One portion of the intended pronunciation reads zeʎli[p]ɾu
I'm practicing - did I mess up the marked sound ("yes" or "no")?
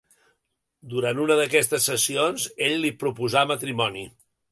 no